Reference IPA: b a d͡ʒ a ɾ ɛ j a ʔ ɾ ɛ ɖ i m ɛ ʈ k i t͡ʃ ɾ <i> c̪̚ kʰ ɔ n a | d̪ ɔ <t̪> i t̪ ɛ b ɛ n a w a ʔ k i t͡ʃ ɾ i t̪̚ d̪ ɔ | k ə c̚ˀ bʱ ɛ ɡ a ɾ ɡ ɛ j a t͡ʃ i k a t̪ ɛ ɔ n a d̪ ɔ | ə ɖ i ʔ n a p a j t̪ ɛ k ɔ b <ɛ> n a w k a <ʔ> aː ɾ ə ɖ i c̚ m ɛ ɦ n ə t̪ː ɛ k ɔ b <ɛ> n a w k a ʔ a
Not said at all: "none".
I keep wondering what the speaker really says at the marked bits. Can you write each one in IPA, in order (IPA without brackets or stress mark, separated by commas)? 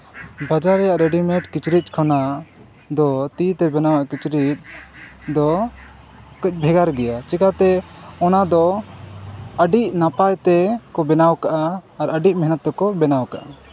i, t̪, ɛ, ʔ, ɛ